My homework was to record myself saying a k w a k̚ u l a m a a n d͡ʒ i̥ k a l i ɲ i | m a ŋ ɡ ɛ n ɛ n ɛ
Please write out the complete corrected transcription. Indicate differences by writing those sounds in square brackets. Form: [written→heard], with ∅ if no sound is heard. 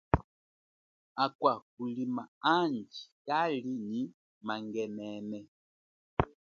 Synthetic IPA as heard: a k w a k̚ u l [a→i] m a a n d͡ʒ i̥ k a l i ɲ i | m a ŋ ɡ ɛ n ɛ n ɛ